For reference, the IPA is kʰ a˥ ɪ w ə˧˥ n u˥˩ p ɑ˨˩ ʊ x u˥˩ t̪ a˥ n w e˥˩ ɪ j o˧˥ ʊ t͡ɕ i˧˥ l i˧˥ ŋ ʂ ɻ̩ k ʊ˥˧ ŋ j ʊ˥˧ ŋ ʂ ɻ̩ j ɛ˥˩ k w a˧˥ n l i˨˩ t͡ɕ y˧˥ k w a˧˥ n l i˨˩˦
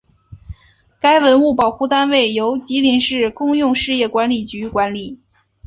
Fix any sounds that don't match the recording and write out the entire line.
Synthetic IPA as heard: k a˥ ɪ w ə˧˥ n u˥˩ p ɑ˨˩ ʊ x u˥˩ t̪ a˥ n w e˥˩ ɪ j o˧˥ ʊ t͡ɕ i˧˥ l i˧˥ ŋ ʂ ɻ̩ k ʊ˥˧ ŋ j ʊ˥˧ ŋ ʂ ɻ̩ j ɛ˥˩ k w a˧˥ n l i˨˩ t͡ɕ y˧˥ k w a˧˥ n l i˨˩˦